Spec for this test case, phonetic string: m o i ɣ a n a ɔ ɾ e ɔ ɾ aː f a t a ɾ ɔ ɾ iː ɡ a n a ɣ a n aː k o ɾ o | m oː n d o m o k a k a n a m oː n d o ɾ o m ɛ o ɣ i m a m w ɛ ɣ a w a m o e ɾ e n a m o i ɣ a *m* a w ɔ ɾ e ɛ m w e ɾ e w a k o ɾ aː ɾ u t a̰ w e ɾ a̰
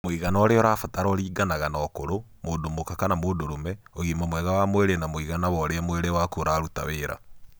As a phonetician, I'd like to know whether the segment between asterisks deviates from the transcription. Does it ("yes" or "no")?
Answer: yes